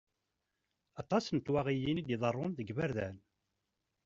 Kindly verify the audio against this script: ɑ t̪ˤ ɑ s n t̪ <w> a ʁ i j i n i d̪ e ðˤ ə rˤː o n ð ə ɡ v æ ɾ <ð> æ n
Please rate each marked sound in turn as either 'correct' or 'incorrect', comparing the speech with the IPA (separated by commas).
correct, correct